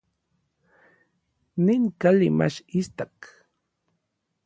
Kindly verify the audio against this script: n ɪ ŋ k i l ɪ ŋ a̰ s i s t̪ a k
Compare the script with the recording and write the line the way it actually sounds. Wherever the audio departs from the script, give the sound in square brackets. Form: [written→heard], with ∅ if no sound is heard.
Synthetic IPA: n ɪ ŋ k [i→a] l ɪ [ŋ→m] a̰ [s→ʃ] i s t̪ a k